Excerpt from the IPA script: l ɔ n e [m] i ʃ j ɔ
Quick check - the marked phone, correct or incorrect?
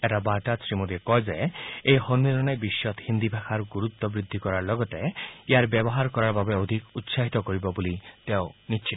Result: incorrect